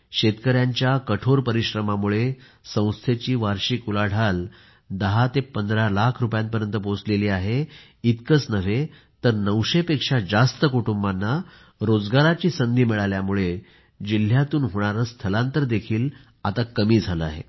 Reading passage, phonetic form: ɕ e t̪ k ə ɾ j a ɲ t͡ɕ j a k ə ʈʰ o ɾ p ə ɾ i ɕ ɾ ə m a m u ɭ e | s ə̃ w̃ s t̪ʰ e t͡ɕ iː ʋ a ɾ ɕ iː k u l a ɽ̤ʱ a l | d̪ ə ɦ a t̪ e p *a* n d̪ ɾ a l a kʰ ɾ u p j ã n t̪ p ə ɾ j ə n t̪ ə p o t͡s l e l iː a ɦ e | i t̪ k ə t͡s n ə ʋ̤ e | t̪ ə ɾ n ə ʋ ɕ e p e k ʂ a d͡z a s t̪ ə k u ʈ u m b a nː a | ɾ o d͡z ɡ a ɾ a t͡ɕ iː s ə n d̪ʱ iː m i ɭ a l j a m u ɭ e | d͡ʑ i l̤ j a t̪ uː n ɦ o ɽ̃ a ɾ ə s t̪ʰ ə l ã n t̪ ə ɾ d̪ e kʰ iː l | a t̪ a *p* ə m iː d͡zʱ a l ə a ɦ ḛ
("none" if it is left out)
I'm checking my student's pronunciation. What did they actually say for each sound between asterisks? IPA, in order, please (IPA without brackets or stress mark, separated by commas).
ə, k